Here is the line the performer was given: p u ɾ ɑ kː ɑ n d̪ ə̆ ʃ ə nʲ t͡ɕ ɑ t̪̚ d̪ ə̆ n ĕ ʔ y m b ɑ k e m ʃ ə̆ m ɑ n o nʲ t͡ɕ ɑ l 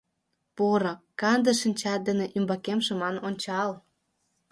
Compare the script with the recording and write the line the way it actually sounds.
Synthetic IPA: p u ɾ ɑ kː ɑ n d̪ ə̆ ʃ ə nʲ t͡ɕ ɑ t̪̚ d̪ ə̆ n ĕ ʔ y m b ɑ k e m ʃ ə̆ m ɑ n o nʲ t͡ɕ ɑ l